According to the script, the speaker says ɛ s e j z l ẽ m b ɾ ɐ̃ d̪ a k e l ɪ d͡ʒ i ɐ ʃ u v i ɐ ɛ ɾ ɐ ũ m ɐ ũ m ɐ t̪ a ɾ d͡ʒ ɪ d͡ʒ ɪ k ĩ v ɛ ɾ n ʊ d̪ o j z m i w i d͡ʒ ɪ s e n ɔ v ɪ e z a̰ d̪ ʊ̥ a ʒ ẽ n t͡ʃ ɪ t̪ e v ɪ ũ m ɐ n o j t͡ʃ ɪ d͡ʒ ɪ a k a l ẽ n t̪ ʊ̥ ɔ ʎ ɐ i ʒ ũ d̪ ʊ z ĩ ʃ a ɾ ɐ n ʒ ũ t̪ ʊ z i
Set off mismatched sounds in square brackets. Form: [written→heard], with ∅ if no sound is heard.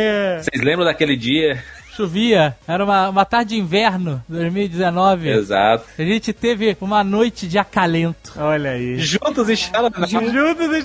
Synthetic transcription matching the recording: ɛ s e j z l ẽ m b ɾ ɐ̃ d̪ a k e l ɪ d͡ʒ i ɐ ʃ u v i ɐ ɛ ɾ ɐ ũ m ɐ ũ m ɐ t̪ a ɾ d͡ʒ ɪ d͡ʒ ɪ [k→∅] ĩ v ɛ ɾ n ʊ d̪ o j z m i w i d͡ʒ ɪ [s→z] e n ɔ v ɪ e z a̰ [d̪→t̪] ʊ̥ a ʒ ẽ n t͡ʃ ɪ t̪ e v ɪ ũ m ɐ n o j t͡ʃ ɪ d͡ʒ ɪ a k a l ẽ n t̪ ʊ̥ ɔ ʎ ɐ i ʒ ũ [d̪→t̪] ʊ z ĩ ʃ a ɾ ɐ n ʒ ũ t̪ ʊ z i